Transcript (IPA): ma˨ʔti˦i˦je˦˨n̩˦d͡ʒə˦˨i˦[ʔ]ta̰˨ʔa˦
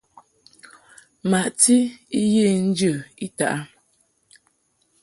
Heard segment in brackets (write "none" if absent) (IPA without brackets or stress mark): none